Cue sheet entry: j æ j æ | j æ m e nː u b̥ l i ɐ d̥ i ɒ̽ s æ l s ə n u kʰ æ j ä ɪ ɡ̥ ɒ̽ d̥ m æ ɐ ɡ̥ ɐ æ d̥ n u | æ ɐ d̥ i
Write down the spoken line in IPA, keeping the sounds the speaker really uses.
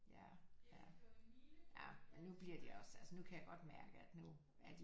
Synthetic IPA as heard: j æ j æ | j æ m e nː u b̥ l i ɐ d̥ i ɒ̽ s æ l s ə n u kʰ æ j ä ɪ ɡ̥ ɒ̽ d̥ m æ ɐ ɡ̥ ə æ d̥ n u | æ ɐ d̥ i

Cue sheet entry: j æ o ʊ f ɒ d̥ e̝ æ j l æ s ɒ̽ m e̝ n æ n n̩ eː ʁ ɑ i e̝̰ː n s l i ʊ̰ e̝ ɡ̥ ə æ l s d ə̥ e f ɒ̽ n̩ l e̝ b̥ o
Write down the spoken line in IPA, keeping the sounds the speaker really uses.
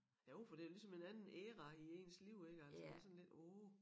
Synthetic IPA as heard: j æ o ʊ f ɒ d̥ e̝ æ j l i s ɒ̽ m e̝ n æ n n̩ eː ʁ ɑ i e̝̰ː n s l i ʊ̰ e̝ ɡ̥ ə æ l s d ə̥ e s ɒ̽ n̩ l e̝ d̥ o

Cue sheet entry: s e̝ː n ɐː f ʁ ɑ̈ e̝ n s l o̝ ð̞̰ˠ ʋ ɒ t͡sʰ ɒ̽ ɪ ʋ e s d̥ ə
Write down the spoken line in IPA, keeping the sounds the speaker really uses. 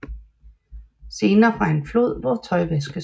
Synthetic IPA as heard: s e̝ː n ɐː f ʁ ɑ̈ e̝ n f l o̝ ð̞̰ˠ ʋ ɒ t͡sʰ ɒ̽ ɪ ʋ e s ɡ̥ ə

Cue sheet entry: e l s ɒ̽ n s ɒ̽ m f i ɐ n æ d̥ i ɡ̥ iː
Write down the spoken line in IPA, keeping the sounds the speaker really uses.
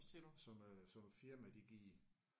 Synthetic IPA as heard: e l s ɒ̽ m s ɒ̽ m f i ɐ m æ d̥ i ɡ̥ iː

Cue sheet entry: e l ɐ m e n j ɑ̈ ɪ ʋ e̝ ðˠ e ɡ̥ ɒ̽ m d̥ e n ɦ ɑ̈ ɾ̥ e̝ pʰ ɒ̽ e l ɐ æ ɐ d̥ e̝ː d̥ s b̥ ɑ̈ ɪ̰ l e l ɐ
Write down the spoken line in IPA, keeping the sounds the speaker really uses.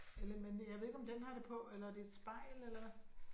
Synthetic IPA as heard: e l ɐ m e n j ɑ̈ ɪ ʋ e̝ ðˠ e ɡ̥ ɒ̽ m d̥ e n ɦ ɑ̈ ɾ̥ e̝ pʰ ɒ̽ e l ɐ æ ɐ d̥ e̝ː d̥ s b̥ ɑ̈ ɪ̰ l e l ɐ

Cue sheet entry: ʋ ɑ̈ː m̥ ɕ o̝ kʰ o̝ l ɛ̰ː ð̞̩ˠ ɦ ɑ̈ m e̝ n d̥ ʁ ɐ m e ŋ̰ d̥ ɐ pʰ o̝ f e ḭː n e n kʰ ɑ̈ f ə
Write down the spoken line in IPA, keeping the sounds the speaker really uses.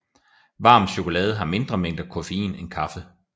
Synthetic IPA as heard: ʋ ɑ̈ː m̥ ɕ o̝ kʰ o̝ l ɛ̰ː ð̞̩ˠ ɦ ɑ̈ m e̝ n d̥ ʁ ɐ m e ŋ̰ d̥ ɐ kʰ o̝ f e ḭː n e n kʰ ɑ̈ f ə

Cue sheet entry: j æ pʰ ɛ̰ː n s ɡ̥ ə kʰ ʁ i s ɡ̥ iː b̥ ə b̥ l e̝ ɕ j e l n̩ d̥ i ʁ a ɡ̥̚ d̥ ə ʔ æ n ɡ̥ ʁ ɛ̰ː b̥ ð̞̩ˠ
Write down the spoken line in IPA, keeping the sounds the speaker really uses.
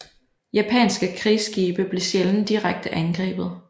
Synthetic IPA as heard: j æ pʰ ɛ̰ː n s ɡ̥ ə kʰ ʁ i s ɡ̥ iː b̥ ə b̥ l e̝ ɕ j e l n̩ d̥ i ʁ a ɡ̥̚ d̥ ə ʔ æ n ɡ̥ ʁ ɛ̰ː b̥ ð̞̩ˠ

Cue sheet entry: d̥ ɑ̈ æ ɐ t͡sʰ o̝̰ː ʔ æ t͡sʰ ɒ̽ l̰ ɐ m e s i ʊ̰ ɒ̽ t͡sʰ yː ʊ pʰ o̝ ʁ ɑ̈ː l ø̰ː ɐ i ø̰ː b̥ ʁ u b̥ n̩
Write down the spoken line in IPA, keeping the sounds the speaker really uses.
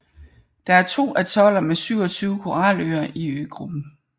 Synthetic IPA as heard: d̥ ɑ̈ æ ɐ t͡sʰ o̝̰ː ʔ æ t͡sʰ ɒ̽ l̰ ɐ m e s y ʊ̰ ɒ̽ t͡sʰ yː ʊ kʰ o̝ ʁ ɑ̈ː l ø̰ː ɐ i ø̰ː ɡ̥ ʁ u b̥ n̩

